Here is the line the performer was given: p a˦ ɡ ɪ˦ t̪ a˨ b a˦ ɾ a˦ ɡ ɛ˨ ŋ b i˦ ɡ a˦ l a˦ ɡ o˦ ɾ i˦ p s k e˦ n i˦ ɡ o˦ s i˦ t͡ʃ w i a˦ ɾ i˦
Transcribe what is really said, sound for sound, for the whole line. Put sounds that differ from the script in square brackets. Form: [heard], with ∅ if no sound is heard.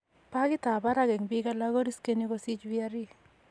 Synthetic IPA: p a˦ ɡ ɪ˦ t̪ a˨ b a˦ ɾ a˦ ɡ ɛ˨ ŋ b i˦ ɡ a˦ l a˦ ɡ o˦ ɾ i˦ [∅] s k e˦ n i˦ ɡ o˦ s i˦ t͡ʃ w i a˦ ɾ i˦